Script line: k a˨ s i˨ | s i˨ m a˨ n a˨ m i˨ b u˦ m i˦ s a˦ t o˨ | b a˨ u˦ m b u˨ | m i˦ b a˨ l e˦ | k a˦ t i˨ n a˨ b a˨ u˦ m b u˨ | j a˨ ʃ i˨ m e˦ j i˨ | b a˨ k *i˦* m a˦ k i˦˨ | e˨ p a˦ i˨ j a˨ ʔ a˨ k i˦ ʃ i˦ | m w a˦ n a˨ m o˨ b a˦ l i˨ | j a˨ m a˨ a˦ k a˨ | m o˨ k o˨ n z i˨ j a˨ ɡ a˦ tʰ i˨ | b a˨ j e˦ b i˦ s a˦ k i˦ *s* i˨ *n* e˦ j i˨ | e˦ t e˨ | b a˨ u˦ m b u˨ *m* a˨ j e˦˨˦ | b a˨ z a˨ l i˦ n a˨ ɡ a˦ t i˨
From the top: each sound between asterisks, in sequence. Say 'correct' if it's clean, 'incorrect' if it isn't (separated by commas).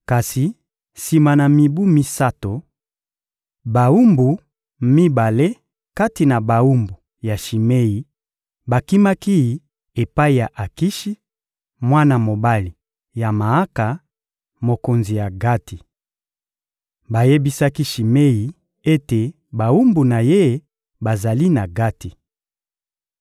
correct, incorrect, incorrect, incorrect